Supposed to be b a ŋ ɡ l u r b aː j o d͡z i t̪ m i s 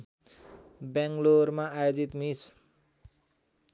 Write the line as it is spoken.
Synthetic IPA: b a ŋ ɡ l o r m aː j o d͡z i t̪ m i s